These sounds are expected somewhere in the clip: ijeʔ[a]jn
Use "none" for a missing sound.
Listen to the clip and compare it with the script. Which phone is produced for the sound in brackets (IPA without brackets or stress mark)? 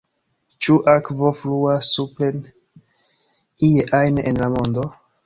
a